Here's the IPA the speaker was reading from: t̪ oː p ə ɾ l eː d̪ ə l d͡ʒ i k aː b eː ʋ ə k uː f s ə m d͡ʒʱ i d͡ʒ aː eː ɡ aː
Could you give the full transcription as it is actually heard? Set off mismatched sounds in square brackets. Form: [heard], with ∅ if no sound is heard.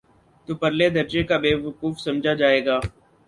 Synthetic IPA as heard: t̪ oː p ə ɾ l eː d̪ ə [ɾ] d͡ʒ [e] k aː b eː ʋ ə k uː f s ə m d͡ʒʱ [a] d͡ʒ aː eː ɡ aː